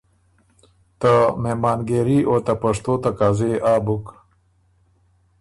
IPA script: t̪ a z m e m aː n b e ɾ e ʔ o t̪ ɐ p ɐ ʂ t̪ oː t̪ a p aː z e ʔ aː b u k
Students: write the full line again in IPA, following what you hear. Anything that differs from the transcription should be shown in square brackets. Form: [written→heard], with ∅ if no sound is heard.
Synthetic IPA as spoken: t̪ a [z→∅] m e m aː n [b→ɡ] e ɾ [e→i] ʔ o t̪ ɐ p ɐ ʂ t̪ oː t̪ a [p→k] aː z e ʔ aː b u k